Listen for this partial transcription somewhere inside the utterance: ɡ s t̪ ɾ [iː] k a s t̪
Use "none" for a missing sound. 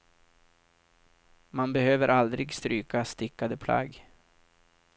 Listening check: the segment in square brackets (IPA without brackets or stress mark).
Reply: yː